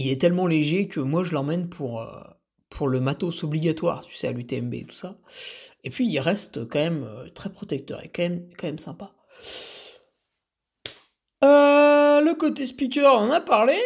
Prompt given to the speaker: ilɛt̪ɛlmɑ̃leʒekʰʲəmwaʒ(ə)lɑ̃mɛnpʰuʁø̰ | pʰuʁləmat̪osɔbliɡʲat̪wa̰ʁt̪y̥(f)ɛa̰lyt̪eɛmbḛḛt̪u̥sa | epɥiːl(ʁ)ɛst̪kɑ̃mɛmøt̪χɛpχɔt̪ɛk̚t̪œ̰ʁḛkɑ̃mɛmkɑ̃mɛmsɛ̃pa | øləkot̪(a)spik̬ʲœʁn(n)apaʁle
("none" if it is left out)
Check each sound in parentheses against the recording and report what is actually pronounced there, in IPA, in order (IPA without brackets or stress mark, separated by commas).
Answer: ə, s, ʁ, e, n